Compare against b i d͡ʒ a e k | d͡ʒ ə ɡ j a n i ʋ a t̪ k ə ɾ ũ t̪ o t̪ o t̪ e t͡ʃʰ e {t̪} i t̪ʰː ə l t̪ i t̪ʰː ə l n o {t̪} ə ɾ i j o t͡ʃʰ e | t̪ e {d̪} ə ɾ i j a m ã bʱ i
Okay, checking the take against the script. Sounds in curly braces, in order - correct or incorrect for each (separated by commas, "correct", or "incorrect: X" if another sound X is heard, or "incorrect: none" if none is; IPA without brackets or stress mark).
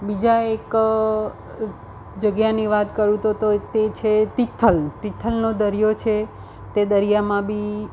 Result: correct, incorrect: d̪, correct